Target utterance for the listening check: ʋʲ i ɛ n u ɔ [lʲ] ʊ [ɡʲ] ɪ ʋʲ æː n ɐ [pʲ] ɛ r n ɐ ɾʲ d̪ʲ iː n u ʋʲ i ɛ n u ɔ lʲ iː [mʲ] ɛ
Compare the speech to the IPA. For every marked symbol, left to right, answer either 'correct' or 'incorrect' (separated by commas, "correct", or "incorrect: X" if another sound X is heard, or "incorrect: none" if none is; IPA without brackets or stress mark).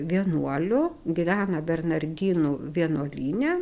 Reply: correct, correct, incorrect: bʲ, incorrect: nʲ